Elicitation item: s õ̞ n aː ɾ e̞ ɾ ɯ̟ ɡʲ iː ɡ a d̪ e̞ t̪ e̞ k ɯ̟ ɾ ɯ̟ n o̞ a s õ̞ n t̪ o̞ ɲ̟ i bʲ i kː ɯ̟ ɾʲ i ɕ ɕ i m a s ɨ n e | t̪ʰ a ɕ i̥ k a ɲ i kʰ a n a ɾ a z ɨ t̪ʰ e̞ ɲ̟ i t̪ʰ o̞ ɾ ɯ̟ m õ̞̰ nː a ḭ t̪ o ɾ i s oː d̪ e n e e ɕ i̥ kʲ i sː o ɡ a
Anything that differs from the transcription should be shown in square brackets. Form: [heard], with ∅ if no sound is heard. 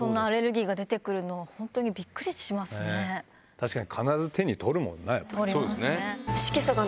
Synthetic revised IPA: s õ̞ [nː] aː ɾ e̞ ɾ ɯ̟ ɡʲ iː ɡ a d̪ e̞ t̪ e̞ k ɯ̟ ɾ ɯ̟ n o̞ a [h] õ̞ n t̪ o̞ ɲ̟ i bʲ i kː ɯ̟ ɾʲ i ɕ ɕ i m a s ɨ n e | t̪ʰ a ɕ i̥ k a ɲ i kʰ a n a ɾ a z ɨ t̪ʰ e̞ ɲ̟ i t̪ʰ o̞ ɾ ɯ̟ m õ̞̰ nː a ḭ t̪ o ɾ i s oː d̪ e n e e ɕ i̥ kʲ i [s] o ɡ a